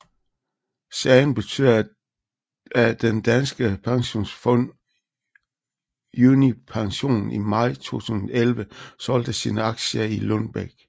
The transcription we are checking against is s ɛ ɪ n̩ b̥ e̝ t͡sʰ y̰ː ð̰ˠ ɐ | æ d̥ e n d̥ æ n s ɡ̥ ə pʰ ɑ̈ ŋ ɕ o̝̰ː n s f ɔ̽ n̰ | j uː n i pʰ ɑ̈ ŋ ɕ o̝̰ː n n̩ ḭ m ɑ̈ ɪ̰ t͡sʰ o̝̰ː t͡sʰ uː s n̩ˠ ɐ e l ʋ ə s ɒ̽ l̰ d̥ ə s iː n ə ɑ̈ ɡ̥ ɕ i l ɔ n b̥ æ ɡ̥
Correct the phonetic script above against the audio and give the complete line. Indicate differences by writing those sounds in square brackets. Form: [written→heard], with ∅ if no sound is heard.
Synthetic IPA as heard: s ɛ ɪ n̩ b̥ e̝ t͡sʰ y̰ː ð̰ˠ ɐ | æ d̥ e n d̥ æ n s ɡ̥ ə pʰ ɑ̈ ŋ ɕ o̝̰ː n s f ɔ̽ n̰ | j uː n i pʰ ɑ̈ ŋ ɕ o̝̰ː n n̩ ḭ m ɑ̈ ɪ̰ t͡sʰ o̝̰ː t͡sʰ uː s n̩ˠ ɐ e l ʋ ə s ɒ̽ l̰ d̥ ə s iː n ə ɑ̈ ɡ̥ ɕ i l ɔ n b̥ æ ɡ̥